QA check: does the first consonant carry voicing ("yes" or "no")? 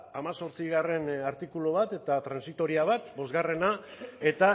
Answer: yes